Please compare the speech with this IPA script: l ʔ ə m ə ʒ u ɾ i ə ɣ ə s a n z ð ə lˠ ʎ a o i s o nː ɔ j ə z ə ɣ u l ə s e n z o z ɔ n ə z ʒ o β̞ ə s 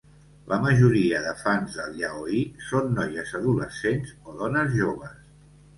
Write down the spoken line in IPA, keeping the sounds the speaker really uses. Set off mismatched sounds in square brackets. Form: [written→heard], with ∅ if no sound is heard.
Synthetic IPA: l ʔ ə m ə ʒ u ɾ i ə [ɣ→ð] ə [s→f] a n z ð ə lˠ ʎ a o i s o nː ɔ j ə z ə [ɣ→ð] u l ə s e n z o [z→ð] ɔ n ə z ʒ o β̞ ə s